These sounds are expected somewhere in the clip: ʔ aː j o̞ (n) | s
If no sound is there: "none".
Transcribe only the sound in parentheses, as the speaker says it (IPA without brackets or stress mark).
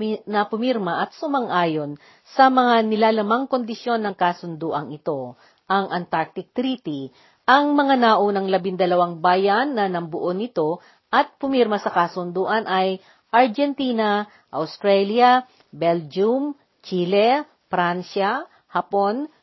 n